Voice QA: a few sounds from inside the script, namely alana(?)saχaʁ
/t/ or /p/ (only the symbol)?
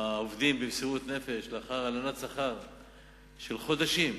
t